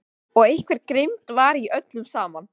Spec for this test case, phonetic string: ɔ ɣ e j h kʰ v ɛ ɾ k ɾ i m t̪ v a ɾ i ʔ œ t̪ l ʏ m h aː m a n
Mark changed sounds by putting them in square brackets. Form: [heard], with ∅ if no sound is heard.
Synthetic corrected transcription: ɔ ɣ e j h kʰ v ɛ ɾ k ɾ [ɪ] m t̪ v a ɾ i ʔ œ t̪ l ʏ m [s] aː m a n

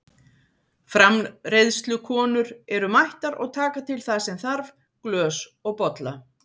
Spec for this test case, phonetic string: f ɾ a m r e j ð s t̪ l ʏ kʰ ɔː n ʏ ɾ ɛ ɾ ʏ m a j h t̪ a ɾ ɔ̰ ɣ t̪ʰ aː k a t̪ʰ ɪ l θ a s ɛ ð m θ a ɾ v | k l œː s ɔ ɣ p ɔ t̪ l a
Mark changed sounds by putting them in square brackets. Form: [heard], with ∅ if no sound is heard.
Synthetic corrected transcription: f ɾ a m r e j ð s t̪ l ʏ kʰ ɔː n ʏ ɾ ɛ ɾ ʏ m a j h t̪ a ɾ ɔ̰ ɣ t̪ʰ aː k a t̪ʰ ɪ l θ a s ɛ [∅] m θ a ɾ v | k l œː s ɔ ɣ p ɔ t̪ l a

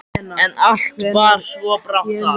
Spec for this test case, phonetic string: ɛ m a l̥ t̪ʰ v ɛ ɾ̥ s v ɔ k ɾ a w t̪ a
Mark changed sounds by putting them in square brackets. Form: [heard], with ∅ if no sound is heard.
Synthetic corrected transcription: ɛ [n] a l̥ [t̪] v [a] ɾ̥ s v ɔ [p] ɾ a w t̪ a

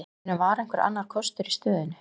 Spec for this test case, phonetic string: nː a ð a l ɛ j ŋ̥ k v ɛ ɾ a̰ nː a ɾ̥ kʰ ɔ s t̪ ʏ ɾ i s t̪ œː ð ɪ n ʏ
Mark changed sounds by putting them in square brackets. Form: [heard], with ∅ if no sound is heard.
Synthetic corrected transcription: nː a [v] a [ɾ] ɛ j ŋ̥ k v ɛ ɾ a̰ nː a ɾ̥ kʰ ɔ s t̪ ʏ ɾ i s t̪ œː ð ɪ n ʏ

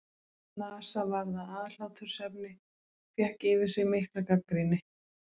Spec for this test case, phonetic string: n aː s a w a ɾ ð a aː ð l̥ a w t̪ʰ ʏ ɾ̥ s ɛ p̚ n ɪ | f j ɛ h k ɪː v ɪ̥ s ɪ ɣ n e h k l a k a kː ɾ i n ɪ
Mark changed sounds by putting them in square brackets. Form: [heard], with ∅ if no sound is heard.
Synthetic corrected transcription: n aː s a [v] a ɾ ð a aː ð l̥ a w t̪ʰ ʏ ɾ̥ s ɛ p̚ n ɪ | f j ɛ h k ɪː v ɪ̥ s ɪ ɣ [m] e h k l a k a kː ɾ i n ɪ

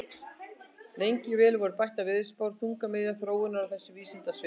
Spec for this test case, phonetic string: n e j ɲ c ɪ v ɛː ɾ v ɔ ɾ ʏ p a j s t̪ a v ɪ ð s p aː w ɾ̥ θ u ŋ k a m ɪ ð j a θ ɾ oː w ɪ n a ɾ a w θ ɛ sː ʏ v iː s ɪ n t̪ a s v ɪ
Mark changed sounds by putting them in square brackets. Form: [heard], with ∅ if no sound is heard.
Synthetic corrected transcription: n e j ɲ c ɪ v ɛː [l] v ɔ ɾ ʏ p a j [h] t̪ a v ɪ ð s p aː w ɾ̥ θ u ŋ k a m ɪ ð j a θ ɾ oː w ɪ n a ɾ a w θ ɛ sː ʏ v iː s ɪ n t̪ a s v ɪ

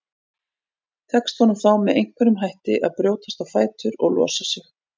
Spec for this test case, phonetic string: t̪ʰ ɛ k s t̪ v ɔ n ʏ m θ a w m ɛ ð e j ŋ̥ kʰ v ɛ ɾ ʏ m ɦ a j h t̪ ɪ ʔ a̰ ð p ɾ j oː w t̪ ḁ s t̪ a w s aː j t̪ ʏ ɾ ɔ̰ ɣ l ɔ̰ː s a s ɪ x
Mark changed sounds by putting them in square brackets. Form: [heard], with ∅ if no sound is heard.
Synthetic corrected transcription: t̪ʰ ɛ k s t̪ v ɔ n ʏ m θ a w m ɛ ð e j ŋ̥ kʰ v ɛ ɾ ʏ m ɦ a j h t̪ ɪ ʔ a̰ ð p ɾ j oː w t̪ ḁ s t̪ a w [f] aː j t̪ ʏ ɾ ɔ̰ ɣ l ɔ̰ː s a s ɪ x

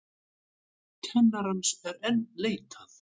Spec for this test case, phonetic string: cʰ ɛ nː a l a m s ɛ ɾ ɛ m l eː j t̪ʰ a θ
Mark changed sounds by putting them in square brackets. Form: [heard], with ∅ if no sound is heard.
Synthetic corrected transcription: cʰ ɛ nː a [ɾ] a [n] s ɛ ɾ ɛ [n] l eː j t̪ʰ a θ

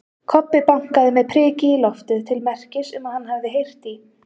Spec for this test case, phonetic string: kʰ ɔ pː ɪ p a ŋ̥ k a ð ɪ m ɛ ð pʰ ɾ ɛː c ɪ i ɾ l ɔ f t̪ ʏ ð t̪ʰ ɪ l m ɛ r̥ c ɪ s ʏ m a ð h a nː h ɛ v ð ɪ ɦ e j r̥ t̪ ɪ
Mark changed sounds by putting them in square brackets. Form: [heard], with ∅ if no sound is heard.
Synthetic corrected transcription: kʰ ɔ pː ɪ p a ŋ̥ k a ð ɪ m ɛ ð pʰ ɾ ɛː c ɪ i [∅] l ɔ f t̪ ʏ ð t̪ʰ ɪ l m ɛ r̥ c ɪ s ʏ m a ð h a nː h [a] v ð ɪ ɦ e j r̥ t̪ [i]

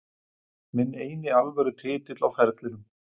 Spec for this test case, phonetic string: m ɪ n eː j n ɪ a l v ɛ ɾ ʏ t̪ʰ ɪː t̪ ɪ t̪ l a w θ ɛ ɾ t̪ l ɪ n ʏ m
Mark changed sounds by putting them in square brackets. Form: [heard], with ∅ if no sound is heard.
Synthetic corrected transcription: m ɪ n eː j n ɪ a l v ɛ ɾ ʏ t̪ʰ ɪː t̪ ɪ t̪ l a w [f] ɛ ɾ t̪ l ɪ n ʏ m

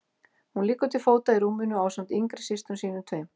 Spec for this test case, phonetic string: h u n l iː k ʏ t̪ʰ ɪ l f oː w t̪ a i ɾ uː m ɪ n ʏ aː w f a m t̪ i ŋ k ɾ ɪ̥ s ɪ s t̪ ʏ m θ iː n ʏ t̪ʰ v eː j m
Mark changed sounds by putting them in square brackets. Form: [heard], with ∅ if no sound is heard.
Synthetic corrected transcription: h u n l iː k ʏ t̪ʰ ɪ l f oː w t̪ a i ɾ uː m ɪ n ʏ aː w [s] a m t̪ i ŋ k ɾ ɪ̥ s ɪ s t̪ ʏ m [s] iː n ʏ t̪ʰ v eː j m

